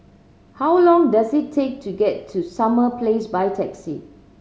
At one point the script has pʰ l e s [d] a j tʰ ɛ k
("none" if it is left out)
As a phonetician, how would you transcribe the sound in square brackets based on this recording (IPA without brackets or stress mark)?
b